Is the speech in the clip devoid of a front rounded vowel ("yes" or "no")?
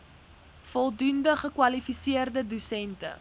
yes